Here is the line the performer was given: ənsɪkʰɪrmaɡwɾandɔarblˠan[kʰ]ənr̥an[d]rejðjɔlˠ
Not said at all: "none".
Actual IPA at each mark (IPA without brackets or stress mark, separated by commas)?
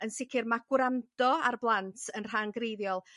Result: tʰ, ɡ